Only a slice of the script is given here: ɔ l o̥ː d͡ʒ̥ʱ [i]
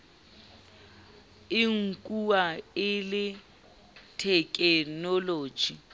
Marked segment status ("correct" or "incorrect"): correct